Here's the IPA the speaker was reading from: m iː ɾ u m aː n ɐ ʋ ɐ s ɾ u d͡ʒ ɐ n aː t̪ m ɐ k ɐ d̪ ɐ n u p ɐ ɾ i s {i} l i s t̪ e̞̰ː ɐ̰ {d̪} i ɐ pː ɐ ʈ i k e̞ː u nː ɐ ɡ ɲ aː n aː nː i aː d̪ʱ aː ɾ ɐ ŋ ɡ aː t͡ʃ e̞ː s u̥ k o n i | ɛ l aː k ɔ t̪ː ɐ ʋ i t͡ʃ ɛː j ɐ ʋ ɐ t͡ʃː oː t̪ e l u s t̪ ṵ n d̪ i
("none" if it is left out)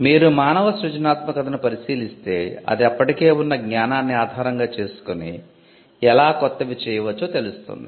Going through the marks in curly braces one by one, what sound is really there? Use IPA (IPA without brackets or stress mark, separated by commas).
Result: iː, d̪